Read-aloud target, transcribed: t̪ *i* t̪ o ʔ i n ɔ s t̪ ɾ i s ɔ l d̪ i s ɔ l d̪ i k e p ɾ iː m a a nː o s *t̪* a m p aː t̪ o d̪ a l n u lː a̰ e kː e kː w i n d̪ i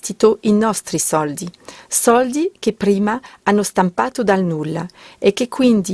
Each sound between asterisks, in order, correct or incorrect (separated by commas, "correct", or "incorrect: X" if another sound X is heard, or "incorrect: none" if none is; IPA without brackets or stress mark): correct, correct